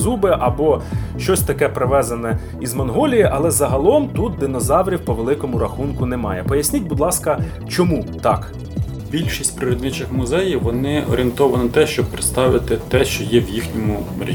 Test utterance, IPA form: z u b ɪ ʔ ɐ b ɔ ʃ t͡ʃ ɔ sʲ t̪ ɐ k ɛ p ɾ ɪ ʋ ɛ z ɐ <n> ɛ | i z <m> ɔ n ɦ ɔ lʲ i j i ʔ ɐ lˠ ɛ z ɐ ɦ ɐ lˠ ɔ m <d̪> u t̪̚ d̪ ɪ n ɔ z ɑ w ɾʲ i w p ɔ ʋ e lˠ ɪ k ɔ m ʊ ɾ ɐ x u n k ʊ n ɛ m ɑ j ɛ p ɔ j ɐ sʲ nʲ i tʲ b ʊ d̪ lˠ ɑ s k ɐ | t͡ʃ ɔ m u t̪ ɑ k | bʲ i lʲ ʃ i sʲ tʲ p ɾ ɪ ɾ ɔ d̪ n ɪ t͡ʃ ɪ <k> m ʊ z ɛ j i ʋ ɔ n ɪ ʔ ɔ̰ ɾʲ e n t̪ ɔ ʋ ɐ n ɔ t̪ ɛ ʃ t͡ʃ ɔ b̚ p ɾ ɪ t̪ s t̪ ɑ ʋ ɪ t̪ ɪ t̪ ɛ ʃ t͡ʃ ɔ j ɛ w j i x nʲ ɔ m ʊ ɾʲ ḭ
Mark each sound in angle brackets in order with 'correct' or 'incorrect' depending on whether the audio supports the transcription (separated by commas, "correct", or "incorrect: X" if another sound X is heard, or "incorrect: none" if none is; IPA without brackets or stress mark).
correct, correct, incorrect: t̪, incorrect: x